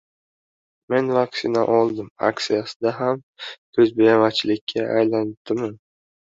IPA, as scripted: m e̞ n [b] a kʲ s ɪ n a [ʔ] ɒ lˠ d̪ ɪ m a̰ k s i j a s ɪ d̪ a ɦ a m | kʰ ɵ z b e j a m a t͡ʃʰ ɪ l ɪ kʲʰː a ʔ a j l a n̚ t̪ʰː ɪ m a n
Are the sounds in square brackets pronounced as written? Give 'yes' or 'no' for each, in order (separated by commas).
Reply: no, yes